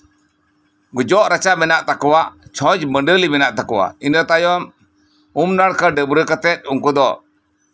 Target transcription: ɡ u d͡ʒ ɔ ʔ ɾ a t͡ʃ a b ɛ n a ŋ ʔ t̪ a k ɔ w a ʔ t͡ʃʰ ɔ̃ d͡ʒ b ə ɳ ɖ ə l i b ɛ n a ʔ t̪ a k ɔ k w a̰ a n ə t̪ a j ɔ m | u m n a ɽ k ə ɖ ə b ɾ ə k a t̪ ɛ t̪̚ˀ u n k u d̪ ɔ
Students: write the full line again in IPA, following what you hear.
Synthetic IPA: ɡ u d͡ʒ ɔ ʔ ɾ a t͡ʃ a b ɛ n a ʔ t̪ a k ɔ w a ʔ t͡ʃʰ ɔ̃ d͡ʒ b ə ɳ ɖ ə l i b ɛ n a ʔ t̪ a k ɔ w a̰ i n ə t̪ a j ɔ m | u m n a ɽ k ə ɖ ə b ɾ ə k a t̪ ɛ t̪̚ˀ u ŋ k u d̪ ɔ